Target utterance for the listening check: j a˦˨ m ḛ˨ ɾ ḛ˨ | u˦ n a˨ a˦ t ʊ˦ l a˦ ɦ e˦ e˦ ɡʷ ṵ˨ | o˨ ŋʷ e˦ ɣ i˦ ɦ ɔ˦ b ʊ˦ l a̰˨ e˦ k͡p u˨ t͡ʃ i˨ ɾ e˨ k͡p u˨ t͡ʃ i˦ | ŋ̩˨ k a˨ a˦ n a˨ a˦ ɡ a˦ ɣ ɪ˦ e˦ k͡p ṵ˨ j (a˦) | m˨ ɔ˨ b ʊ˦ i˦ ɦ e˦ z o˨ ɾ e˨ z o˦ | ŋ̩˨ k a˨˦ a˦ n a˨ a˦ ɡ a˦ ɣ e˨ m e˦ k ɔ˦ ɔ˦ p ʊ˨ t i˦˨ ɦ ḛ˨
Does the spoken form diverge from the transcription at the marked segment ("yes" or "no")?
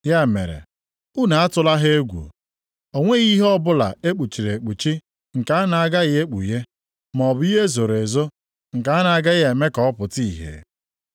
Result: yes